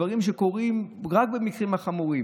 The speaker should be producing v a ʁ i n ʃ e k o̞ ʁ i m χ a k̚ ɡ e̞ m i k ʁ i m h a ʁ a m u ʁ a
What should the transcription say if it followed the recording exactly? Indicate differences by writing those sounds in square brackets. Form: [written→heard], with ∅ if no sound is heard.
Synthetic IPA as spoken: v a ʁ i [n→m] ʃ e k o̞ ʁ i m [χ→ʁ] a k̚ [ɡ→b] e̞ m i k ʁ i m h a [ʁ→χ] a m u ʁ [a→i]

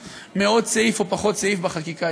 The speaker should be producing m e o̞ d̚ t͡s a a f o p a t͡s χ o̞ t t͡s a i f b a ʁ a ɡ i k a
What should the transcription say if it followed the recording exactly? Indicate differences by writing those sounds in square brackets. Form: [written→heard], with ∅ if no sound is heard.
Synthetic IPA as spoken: m e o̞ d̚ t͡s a [a→i] f o p a [t͡s→∅] χ o̞ t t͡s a i f b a [ʁ→χ] a [ɡ→k] i k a

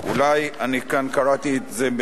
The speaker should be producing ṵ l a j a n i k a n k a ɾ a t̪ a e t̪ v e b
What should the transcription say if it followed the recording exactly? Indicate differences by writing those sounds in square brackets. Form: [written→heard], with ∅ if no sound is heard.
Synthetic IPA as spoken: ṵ l a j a n i k a n k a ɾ a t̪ [a→i] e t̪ [v→z] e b

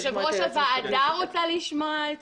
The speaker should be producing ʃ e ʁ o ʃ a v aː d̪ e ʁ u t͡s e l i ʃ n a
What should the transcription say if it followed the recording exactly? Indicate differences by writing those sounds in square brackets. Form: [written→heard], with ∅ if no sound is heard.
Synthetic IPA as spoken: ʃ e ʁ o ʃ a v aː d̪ [e→a] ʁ [u→o] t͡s [e→a] l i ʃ [n→m] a

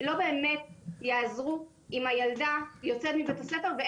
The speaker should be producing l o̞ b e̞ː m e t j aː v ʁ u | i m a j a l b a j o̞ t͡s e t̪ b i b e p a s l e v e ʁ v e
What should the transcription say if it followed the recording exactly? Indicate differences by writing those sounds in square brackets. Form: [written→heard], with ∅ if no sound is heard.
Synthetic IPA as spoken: l o̞ b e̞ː m e t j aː [v→z] ʁ u | i m a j a l [b→d] a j o̞ t͡s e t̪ [b→m] i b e [p→t] a s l e [v→f] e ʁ v e

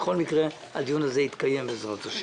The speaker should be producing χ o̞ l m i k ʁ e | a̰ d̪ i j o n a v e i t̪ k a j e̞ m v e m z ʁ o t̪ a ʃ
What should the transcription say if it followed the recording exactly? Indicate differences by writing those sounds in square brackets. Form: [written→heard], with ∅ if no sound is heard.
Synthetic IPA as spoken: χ o̞ l m i k ʁ e | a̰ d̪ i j [o→u] n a [v→z] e i t̪ k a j e̞ m [v→b] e [m→∅] z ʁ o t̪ a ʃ

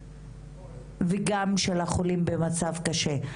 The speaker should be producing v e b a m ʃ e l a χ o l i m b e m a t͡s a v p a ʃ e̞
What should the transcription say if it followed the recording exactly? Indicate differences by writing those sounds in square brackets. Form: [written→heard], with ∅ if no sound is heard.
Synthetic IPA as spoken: v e [b→ɡ] a m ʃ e l a χ o l i m b e m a t͡s a v [p→k] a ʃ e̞

